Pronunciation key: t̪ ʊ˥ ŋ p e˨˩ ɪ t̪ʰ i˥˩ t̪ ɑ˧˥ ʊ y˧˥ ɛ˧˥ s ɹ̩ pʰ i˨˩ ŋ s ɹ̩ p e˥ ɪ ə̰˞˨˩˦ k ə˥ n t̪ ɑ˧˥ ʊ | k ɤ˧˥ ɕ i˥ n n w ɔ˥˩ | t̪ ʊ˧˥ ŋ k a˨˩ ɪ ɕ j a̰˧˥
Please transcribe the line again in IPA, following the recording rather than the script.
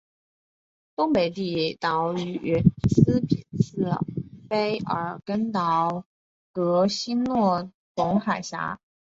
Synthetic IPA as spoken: t̪ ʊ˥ ŋ p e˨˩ ɪ t̪ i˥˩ t̪ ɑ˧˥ ʊ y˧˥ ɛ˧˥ s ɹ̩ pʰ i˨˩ n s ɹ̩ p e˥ ɪ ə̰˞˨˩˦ k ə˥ n t̪ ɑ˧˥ ʊ | k ɤ˧˥ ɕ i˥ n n w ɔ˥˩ | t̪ ʊ˧˥ ŋ x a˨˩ ɪ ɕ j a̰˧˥

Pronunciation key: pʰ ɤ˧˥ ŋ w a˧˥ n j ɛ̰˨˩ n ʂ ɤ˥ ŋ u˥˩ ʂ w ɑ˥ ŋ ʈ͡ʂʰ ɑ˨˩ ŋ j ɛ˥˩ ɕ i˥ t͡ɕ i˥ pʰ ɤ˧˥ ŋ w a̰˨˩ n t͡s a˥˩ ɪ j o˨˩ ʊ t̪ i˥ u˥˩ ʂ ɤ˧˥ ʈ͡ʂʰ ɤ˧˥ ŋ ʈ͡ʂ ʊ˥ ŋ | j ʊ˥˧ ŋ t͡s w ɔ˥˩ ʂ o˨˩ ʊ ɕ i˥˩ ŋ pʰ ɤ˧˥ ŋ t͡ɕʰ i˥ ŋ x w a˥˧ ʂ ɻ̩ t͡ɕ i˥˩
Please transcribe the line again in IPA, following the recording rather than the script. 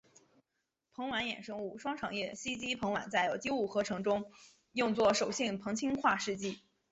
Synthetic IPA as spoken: pʰ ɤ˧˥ ŋ w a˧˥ n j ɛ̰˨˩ n ʂ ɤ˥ ŋ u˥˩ ʂ w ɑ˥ ŋ ʈ͡ʂʰ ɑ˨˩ ŋ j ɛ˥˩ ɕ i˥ t͡ɕ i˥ pʰ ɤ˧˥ ŋ w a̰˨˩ n t͡s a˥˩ ɪ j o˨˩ ʊ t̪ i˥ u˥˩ x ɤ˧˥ ʈ͡ʂʰ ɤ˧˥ ŋ ʈ͡ʂ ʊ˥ ŋ | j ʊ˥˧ ŋ t͡s w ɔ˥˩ ʂ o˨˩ ʊ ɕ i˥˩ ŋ pʰ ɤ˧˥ ŋ t͡ɕʰ i˥ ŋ x w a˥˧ ʂ ɻ̩ t͡ɕ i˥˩

